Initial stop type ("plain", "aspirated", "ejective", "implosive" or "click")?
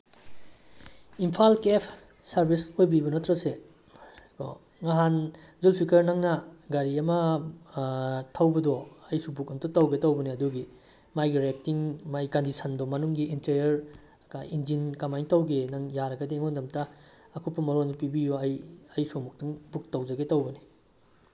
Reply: aspirated